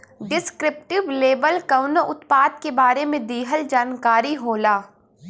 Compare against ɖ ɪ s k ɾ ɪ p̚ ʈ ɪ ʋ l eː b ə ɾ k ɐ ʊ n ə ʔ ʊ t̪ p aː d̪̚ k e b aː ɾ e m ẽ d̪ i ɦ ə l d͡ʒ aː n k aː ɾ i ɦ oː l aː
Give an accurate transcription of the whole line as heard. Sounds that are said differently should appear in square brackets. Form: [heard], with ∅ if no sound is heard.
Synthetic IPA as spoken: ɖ ɪ s k ɾ ɪ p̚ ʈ ɪ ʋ l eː b ə [l] k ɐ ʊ n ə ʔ ʊ t̪ p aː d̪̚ k e b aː ɾ e m ẽ d̪ [iː] ɦ ə l d͡ʒ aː n k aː ɾ i ɦ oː l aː